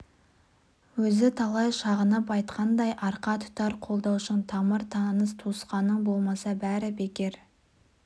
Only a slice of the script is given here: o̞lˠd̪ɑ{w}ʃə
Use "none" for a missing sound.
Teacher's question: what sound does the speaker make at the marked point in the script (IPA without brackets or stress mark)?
w